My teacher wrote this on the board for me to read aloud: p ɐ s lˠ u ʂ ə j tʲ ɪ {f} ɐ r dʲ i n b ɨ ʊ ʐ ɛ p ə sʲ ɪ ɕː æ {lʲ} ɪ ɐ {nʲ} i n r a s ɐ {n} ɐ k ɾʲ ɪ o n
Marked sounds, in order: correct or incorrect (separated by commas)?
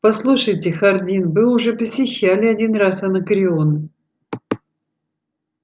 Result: incorrect, correct, incorrect, correct